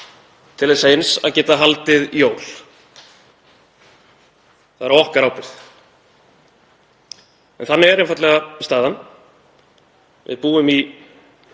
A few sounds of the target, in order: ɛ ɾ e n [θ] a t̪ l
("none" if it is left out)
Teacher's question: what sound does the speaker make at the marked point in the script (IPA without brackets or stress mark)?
f